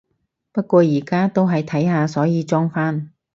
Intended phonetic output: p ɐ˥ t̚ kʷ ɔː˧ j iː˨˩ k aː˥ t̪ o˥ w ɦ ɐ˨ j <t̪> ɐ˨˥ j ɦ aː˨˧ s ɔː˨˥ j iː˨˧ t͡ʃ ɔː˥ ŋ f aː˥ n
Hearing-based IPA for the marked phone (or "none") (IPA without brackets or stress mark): t̪ʰ